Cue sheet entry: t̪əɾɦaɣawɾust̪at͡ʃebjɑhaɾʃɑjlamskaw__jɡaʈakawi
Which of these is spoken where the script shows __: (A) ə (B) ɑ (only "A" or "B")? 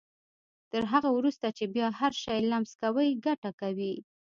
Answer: A